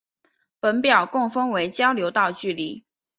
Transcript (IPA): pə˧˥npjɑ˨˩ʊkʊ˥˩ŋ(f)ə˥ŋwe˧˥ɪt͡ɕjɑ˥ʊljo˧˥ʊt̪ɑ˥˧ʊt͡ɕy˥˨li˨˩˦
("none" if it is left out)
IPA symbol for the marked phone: f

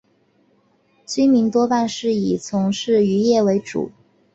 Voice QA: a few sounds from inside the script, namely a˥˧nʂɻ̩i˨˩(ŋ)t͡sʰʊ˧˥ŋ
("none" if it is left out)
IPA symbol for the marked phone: none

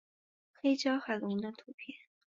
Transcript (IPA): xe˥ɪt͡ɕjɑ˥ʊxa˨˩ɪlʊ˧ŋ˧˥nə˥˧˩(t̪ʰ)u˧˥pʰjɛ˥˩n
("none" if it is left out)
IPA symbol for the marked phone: t̪ʰ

